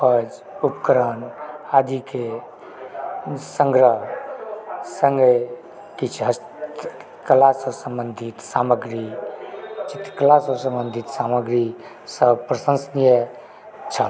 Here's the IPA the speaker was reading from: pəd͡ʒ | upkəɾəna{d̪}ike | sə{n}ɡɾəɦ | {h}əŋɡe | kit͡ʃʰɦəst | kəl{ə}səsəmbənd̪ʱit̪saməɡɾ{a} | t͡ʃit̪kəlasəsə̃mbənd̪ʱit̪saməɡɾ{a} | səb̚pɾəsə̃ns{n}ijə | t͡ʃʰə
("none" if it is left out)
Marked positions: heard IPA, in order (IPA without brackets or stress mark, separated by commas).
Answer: d̪, ŋ, s, a, i, i, n